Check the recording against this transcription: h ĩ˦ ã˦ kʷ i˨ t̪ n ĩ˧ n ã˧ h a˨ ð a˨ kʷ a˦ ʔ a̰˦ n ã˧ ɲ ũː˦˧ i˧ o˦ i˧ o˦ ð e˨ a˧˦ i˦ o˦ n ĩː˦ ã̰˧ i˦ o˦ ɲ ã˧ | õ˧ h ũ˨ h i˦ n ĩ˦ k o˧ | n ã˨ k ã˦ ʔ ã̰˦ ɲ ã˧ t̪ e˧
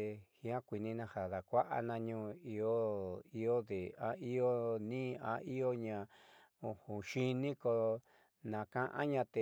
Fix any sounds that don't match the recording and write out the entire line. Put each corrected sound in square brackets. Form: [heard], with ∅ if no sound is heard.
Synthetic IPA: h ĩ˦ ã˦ kʷ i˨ [∅] n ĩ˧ n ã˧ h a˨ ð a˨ kʷ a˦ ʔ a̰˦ n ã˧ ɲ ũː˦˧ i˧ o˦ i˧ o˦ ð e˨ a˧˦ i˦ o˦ n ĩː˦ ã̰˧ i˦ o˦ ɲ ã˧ | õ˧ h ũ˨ [ʃ] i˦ n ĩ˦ k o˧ | n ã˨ k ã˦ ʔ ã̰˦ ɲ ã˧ t̪ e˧